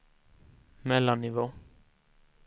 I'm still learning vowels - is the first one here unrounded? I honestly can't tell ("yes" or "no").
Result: yes